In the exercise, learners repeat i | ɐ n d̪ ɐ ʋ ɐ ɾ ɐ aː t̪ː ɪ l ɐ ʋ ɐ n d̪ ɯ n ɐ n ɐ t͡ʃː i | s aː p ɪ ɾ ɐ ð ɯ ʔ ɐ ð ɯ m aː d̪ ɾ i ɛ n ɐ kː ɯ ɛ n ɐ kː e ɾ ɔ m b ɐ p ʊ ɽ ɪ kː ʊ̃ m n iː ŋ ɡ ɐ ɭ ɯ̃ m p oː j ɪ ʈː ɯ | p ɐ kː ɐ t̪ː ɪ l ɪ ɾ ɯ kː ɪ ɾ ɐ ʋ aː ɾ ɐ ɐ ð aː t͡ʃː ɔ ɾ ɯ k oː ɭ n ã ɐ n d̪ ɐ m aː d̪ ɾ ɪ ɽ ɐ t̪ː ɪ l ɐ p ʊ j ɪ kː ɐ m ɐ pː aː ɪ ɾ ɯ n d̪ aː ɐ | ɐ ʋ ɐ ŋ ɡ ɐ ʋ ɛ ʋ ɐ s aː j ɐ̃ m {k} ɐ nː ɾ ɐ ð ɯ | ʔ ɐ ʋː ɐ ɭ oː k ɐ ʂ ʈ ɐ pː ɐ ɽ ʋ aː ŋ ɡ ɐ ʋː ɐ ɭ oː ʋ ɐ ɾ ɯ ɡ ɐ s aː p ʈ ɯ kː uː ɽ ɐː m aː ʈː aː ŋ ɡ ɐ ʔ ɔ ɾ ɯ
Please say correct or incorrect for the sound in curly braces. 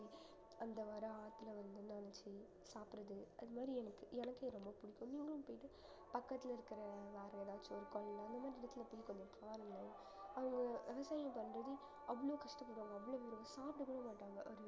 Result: incorrect